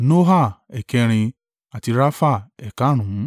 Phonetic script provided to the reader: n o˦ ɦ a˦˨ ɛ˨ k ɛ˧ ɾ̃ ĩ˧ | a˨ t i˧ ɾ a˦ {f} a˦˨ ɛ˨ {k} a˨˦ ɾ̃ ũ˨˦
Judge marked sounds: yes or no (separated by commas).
yes, yes